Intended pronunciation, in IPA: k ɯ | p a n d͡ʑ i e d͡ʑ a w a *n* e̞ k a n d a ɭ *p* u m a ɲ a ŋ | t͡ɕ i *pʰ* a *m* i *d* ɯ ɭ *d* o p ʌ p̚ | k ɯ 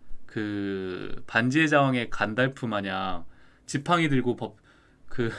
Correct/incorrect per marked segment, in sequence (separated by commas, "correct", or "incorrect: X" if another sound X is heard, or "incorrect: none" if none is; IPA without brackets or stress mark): incorrect: ŋ, incorrect: pʰ, correct, incorrect: ŋ, correct, incorrect: ɡ